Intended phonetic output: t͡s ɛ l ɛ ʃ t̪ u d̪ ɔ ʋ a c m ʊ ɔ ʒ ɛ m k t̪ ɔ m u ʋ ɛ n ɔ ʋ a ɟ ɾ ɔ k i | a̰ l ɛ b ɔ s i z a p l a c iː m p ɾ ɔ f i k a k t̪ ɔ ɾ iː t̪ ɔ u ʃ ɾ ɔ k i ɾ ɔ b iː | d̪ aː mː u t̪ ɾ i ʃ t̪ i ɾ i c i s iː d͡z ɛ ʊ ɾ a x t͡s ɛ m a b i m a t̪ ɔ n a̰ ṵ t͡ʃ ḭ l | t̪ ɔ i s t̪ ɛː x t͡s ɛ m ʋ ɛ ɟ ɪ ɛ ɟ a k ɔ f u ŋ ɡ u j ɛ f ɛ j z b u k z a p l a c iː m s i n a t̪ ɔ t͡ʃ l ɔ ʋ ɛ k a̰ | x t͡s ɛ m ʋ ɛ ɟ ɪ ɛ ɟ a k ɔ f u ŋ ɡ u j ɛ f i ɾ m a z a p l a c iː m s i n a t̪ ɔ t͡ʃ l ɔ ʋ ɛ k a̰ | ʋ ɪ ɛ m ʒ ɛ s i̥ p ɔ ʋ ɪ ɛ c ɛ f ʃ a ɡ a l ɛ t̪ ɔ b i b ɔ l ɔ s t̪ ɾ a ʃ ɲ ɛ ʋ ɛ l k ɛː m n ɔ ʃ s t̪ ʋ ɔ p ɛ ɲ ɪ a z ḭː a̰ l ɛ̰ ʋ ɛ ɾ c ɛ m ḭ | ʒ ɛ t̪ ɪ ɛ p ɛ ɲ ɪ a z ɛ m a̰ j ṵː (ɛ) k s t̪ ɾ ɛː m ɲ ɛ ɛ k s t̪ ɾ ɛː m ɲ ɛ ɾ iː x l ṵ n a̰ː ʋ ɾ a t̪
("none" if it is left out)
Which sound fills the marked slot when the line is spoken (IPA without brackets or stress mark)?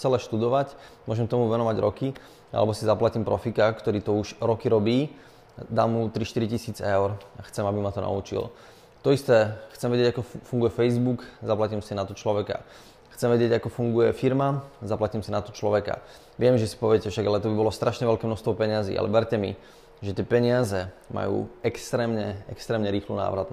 ɛ